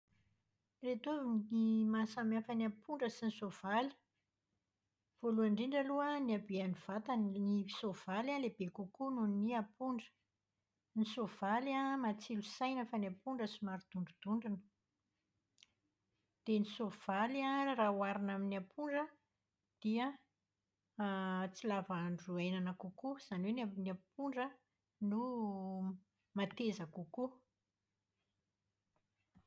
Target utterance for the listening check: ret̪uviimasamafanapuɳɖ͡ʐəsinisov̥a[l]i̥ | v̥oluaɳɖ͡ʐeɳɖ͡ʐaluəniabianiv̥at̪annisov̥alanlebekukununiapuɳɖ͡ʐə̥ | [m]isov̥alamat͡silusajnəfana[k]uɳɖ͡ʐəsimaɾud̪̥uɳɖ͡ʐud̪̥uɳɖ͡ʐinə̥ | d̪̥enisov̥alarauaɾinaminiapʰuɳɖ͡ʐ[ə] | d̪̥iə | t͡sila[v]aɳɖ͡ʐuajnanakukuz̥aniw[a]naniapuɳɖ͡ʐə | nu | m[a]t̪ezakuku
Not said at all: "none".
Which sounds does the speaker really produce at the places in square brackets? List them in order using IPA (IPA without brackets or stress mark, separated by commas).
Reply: l, n, p, ə, v, e, a